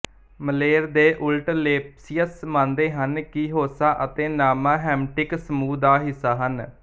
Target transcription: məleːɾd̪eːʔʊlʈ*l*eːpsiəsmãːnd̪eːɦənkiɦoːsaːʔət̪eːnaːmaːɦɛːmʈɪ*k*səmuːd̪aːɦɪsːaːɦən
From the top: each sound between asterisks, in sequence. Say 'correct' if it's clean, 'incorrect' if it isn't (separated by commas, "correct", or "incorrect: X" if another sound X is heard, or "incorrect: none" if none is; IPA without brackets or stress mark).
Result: correct, correct